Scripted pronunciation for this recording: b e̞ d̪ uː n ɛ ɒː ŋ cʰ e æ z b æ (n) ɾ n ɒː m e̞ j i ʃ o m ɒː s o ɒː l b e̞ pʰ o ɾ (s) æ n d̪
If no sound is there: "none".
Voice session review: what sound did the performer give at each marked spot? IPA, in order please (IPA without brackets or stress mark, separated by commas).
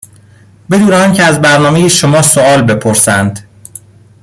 none, s